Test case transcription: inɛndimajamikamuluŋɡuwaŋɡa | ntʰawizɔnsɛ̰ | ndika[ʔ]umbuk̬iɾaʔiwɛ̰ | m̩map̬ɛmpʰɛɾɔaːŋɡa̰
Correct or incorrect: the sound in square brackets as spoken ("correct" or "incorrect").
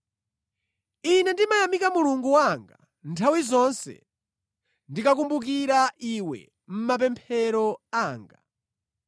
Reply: incorrect